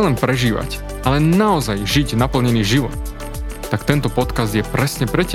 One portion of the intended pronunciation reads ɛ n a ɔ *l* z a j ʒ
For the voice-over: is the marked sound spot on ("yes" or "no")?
no